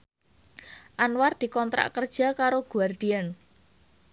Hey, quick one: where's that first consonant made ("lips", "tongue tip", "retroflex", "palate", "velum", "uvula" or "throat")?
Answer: throat